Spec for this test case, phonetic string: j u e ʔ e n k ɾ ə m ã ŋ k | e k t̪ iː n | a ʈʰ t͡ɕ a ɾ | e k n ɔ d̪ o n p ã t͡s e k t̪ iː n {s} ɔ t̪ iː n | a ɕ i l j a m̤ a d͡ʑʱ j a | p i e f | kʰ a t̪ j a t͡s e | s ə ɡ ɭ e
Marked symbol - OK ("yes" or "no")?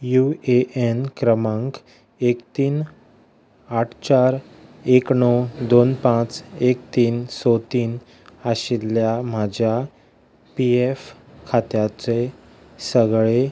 yes